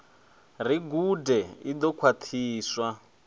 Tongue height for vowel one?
high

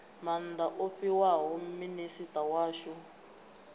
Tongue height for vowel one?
low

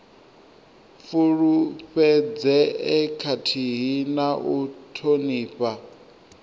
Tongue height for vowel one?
high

